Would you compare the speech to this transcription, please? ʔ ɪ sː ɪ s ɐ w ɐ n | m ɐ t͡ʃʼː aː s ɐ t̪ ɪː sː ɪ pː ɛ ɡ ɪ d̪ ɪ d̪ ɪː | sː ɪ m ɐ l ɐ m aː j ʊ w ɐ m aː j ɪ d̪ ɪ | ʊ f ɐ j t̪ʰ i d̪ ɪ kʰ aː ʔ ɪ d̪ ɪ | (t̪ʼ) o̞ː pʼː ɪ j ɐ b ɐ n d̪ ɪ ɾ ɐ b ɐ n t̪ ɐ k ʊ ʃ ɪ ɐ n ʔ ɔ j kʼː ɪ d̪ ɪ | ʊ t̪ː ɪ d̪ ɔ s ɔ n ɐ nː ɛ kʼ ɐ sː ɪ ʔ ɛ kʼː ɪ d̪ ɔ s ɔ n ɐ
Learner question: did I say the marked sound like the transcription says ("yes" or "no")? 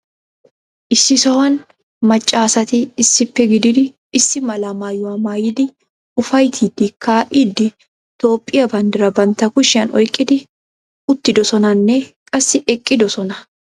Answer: no